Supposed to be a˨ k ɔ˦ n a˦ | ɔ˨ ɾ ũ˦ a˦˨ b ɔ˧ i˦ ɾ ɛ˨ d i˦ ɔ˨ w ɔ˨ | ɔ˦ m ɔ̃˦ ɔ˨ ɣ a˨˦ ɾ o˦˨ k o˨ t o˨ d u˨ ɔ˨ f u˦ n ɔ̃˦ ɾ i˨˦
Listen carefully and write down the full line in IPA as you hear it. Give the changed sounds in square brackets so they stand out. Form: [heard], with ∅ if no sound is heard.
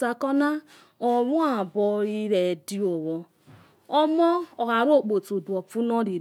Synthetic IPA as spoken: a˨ k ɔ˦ n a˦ | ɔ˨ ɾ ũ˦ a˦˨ b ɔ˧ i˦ ɾ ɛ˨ d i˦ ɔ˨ w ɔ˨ | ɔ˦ m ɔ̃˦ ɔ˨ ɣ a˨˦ ɾ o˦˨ [k͡p] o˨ t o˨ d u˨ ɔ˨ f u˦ n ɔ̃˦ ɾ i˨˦